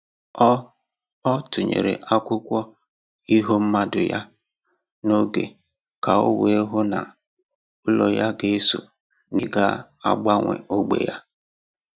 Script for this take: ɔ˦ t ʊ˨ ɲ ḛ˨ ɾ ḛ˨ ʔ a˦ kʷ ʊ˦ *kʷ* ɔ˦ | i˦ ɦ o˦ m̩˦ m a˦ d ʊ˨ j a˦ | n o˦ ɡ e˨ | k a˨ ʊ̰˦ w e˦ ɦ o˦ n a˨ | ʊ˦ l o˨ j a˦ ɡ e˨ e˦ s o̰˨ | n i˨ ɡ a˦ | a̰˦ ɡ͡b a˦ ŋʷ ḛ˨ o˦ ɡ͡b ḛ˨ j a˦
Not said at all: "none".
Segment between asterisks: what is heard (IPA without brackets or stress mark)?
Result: kʷ